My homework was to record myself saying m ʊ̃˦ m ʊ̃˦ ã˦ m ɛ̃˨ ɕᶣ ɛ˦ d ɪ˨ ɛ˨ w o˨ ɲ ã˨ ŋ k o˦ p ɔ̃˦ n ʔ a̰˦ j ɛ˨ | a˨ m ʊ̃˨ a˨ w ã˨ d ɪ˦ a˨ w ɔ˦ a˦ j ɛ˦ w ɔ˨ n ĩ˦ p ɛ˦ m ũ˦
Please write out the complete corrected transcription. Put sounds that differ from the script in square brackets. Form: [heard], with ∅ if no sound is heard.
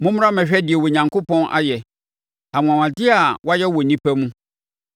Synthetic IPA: m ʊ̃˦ m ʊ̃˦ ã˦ m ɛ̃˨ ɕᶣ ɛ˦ d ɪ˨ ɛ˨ w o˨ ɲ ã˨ ŋ k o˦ p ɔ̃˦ n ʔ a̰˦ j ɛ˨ | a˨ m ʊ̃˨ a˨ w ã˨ d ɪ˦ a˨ w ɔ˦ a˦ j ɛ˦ w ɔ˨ n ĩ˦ p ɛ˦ m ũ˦